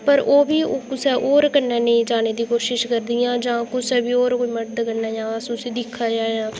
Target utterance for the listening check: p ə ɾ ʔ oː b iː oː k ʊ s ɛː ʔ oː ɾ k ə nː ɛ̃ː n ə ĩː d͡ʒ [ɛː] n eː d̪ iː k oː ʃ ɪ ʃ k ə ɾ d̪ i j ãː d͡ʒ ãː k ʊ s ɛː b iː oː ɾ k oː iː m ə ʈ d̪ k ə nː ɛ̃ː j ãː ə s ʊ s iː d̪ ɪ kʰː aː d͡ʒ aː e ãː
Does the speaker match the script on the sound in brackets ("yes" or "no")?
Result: no